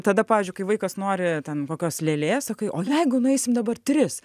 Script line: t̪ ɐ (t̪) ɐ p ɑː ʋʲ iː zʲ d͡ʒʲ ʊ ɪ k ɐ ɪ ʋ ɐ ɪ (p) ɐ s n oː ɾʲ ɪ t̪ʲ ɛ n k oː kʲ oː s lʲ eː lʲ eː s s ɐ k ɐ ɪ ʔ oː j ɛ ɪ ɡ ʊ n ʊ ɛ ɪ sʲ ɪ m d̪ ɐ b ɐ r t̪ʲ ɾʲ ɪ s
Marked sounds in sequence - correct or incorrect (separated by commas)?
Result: incorrect, incorrect